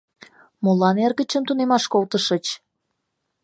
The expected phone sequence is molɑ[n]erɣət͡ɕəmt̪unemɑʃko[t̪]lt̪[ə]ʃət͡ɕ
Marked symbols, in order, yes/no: yes, no, yes

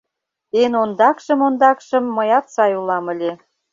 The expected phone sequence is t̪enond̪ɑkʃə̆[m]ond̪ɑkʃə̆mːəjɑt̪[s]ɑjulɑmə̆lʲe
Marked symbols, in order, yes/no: yes, yes

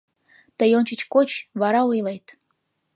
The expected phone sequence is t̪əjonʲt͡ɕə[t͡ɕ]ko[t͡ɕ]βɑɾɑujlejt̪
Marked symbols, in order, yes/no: yes, yes

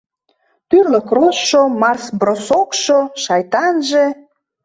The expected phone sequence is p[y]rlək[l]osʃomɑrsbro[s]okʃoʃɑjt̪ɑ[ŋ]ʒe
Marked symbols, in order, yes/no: yes, no, yes, no

